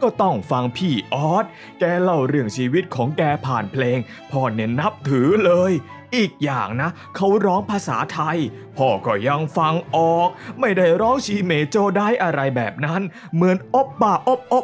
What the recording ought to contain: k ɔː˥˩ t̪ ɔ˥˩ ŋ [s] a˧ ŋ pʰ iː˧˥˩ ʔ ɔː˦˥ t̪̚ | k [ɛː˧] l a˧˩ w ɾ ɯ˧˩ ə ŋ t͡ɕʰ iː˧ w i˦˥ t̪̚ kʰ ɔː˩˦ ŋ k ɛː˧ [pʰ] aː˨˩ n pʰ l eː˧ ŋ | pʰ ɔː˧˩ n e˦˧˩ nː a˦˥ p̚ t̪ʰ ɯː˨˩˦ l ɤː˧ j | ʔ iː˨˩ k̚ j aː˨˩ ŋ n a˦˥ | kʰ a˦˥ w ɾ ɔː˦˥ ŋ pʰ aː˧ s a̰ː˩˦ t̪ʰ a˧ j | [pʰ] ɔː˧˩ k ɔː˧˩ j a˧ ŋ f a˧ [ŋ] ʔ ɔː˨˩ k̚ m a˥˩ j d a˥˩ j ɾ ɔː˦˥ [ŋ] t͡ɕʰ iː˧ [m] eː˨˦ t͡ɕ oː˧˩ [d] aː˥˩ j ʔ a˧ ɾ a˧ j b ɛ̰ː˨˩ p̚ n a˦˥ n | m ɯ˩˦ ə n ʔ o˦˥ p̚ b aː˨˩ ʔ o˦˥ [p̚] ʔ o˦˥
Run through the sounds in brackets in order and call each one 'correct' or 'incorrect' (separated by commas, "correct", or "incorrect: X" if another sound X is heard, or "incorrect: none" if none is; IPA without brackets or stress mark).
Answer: incorrect: f, correct, correct, correct, correct, correct, correct, correct, correct